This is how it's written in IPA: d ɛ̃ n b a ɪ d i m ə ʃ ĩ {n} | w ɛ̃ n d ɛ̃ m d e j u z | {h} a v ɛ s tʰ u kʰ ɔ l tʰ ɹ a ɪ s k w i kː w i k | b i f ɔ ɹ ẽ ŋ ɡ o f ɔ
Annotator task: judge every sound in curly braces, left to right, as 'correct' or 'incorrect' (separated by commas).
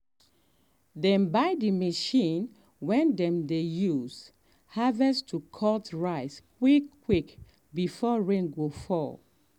correct, correct